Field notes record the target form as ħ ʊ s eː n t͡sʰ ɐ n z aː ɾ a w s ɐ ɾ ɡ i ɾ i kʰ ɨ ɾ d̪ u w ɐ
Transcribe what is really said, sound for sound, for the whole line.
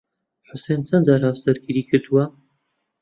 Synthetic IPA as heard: ħ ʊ s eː n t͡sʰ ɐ n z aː ɾ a w s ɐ ɾ ɡ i ɾ i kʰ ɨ ɾ d̪ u w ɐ